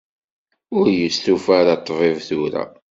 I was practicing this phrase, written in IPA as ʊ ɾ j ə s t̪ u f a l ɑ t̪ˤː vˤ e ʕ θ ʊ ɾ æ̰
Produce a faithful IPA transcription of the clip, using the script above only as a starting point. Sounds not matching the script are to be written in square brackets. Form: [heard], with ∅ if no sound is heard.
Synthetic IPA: ʊ ɾ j ə s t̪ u f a [ɾ] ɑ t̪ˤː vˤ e [v] θ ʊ ɾ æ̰

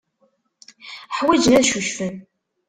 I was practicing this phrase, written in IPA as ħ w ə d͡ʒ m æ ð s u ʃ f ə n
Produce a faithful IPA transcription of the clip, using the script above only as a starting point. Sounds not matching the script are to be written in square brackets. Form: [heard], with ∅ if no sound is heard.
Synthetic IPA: ħ w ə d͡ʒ [n] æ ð [ʃ] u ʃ f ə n

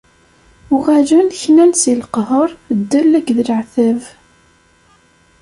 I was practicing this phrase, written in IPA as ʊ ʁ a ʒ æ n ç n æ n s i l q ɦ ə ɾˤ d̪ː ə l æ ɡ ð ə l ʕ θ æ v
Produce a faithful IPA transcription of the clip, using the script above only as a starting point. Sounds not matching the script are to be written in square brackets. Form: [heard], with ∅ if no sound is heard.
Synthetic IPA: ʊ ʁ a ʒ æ n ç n æ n s i l q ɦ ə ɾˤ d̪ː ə l æ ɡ ð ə l ʕ θ æ v

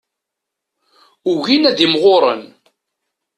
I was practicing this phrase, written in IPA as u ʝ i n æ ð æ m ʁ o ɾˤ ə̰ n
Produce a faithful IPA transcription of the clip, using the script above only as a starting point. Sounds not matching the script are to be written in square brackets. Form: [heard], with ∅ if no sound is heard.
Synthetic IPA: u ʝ i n æ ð [i] m ʁ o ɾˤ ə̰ n

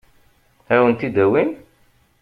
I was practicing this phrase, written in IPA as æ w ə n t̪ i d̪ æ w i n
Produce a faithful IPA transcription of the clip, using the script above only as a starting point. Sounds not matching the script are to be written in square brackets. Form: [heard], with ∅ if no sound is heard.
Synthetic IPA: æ w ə n t̪ i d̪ æ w i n

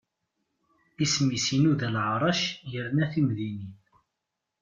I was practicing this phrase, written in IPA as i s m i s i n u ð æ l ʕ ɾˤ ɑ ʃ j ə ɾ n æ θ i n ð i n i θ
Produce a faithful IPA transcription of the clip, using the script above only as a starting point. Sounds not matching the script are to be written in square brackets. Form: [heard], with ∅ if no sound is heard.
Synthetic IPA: i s m i s i n u ð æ l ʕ ɾˤ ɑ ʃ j ə ɾ n æ θ i [m] ð i n i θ

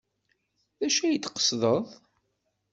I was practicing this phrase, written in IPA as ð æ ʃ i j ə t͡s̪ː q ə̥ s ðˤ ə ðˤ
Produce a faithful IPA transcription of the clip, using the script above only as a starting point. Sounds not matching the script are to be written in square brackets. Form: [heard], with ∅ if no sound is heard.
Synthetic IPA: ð æ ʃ [æ] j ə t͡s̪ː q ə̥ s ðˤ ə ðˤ

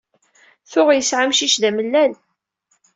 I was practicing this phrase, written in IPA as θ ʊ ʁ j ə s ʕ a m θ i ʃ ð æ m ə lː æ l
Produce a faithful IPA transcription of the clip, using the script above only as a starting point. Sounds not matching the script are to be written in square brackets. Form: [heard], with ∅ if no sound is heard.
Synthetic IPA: θ ʊ ʁ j ə s ʕ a m [ʃ] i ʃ ð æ m ə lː æ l

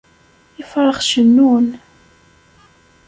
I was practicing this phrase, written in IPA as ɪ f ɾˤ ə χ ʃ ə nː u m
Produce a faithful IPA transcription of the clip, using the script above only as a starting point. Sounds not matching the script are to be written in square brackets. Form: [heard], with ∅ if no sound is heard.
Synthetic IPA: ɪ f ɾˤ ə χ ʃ ə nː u [n]

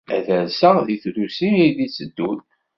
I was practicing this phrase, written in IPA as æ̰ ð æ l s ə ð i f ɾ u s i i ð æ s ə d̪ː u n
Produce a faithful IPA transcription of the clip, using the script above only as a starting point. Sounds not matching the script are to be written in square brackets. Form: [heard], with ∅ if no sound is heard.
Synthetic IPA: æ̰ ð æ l s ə ð i [θ] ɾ u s i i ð [i] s ə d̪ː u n

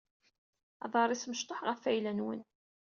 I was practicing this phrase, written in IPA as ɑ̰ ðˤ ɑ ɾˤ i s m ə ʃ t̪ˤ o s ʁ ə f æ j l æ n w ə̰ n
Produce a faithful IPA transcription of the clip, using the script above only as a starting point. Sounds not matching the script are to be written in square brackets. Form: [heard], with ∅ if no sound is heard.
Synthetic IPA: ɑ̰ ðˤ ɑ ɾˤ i s m ə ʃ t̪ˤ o [ħ] ʁ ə f æ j l æ n w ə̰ n

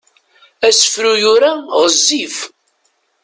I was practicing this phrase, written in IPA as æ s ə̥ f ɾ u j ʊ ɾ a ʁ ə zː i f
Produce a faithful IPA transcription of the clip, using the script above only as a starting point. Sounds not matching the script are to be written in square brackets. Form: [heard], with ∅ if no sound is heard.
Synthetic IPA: æ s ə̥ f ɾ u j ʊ ɾ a ʁ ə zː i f

